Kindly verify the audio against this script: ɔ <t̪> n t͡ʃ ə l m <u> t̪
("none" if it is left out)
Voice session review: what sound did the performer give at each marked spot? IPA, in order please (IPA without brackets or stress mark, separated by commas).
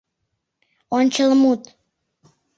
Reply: none, u